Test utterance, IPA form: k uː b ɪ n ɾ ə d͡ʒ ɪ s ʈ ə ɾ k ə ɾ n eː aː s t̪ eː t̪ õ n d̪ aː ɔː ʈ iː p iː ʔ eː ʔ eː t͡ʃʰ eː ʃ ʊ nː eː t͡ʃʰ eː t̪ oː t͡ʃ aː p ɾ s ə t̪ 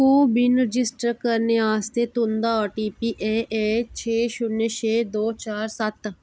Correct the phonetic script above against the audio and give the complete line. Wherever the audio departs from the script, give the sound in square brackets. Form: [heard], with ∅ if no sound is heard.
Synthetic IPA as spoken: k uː b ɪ n ɾ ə d͡ʒ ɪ s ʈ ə ɾ k ə ɾ n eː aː s t̪ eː t̪ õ n d̪ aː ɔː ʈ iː p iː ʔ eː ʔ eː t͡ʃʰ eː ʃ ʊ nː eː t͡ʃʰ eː [d̪] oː t͡ʃ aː [∅] ɾ s ə t̪